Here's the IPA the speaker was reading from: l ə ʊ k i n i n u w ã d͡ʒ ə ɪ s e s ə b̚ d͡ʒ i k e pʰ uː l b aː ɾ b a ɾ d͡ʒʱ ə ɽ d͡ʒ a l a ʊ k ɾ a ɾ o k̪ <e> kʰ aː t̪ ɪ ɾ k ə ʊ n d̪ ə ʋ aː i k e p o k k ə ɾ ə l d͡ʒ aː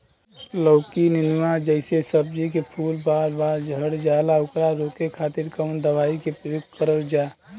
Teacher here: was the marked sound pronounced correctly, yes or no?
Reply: yes